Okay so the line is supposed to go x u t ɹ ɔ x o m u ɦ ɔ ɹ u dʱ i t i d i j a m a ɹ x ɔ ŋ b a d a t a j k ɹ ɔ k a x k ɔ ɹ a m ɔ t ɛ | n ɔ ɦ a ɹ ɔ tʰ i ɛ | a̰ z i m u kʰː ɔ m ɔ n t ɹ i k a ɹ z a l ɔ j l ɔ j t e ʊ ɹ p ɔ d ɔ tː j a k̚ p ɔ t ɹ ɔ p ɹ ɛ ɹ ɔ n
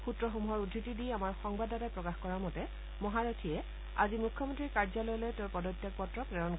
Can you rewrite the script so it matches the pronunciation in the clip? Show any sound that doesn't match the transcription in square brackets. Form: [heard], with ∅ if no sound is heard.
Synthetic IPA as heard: x u t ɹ ɔ x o m u ɦ ɔ ɹ u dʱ i t i d i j a m a ɹ x ɔ ŋ b a d a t a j [p] ɹ ɔ k a x k ɔ ɹ a m ɔ t ɛ | [m] ɔ ɦ a ɹ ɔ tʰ i ɛ | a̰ z i m u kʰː ɔ m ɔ n t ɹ i k a ɹ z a l ɔ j l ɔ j t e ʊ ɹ p ɔ d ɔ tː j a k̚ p ɔ t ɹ ɔ p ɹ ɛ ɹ ɔ n